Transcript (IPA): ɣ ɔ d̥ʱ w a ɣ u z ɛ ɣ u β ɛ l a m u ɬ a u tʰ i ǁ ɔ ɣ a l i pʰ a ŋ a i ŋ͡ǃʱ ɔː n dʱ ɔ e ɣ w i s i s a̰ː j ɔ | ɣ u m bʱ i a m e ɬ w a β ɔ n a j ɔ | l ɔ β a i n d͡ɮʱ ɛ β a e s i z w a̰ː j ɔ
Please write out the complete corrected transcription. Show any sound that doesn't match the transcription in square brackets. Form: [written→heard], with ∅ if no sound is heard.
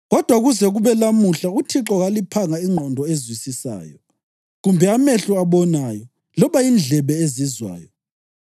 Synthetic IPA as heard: ɣ ɔ d̥ʱ w a ɣ u z ɛ ɣ u β ɛ l a m u ɬ a u tʰ i ǁ ɔ ɣ a l i pʰ a ŋ a i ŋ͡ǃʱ [ɔː→ɔ] n dʱ ɔ e [ɣ→z] w i s i s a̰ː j ɔ | ɣ u m bʱ [i→ɛ] a m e ɬ [w→u] a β ɔ n a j ɔ | l ɔ β a i n d͡ɮʱ ɛ β [a→ɛ] e [s→z] i z w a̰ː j ɔ